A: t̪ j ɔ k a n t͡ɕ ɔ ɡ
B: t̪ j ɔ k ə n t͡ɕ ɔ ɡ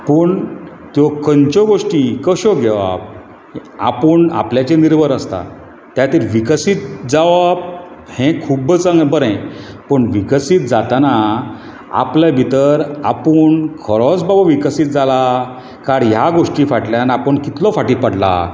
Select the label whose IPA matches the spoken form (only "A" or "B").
B